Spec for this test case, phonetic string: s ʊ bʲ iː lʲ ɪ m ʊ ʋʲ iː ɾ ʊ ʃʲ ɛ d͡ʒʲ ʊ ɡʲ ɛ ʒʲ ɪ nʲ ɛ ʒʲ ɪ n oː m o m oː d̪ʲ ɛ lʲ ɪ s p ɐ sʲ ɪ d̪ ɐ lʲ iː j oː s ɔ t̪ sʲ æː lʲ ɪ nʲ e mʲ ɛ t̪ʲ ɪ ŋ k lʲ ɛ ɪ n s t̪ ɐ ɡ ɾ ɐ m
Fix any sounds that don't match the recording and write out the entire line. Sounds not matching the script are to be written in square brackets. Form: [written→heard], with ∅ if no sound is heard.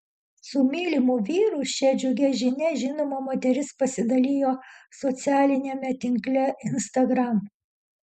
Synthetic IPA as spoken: s ʊ [bʲ→mʲ] iː lʲ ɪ m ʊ ʋʲ iː ɾ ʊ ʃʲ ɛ d͡ʒʲ ʊ ɡʲ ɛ ʒʲ ɪ nʲ ɛ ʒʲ ɪ n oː m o m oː [d̪ʲ→t̪ʲ] ɛ [lʲ→ɾʲ] ɪ s p ɐ sʲ ɪ d̪ ɐ lʲ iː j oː s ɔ t̪ sʲ æː lʲ ɪ nʲ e mʲ ɛ t̪ʲ ɪ ŋ k lʲ ɛ ɪ n s t̪ ɐ ɡ ɾ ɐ m